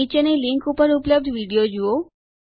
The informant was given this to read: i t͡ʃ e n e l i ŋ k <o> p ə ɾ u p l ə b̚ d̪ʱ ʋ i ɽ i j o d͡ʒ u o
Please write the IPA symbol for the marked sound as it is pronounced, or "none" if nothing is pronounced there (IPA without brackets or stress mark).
u